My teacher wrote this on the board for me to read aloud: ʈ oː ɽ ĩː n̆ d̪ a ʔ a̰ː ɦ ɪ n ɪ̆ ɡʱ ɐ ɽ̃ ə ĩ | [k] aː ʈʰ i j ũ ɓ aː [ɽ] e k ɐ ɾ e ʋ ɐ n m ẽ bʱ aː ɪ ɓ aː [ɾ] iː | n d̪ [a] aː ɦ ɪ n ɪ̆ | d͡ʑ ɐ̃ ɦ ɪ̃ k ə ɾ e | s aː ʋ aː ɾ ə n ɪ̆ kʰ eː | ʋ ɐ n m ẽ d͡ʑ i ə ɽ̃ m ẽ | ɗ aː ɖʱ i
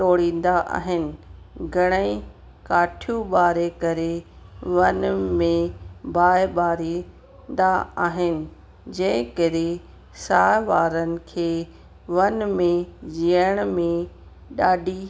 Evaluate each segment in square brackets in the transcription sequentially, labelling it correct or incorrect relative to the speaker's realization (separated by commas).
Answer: correct, incorrect, correct, correct